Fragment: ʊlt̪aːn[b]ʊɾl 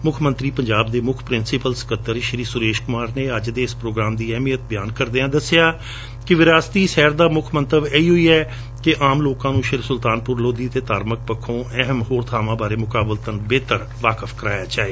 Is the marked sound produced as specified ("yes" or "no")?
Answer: no